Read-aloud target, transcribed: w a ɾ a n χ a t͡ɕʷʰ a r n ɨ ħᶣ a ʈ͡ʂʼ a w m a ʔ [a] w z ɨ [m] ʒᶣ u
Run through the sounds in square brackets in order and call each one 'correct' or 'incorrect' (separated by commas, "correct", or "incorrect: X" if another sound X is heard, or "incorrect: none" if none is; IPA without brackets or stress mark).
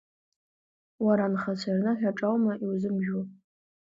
incorrect: i, correct